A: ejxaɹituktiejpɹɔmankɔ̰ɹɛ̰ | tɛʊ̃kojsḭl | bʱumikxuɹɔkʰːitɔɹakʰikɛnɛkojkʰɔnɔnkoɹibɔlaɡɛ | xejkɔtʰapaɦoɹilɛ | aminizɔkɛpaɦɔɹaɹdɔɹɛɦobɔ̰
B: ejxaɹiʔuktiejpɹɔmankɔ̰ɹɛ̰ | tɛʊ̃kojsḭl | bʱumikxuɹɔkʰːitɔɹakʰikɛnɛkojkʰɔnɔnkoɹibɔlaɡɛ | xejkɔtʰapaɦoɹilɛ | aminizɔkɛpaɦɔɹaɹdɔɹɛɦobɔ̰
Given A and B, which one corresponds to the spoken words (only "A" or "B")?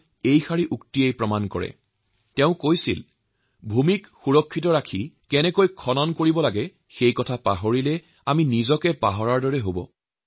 B